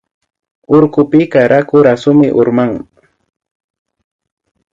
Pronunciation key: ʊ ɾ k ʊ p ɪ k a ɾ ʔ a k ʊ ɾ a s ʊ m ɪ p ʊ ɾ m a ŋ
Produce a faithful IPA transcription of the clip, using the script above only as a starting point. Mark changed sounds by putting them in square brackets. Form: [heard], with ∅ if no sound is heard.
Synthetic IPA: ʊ ɾ k ʊ p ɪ k a ɾ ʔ a k ʊ ɾ a s ʊ m ɪ [ʔ] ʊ ɾ m a ŋ